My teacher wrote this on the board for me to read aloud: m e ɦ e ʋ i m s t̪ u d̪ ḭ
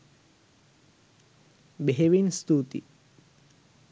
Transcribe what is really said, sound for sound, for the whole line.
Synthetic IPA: b e ɦ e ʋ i n s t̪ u t̪ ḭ